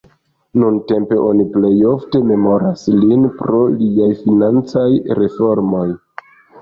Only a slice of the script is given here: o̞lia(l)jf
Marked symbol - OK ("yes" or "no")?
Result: no